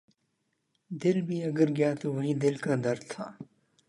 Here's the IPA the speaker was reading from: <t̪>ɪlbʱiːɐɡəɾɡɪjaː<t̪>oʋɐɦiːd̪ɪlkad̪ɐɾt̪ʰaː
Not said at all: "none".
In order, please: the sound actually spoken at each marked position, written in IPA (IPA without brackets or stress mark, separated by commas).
d̪, t̪